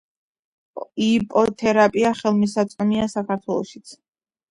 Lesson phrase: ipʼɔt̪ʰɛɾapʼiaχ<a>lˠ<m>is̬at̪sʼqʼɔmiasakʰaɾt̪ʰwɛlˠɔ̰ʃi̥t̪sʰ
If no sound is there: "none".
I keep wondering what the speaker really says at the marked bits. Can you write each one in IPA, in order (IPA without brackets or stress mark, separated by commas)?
ɛ, m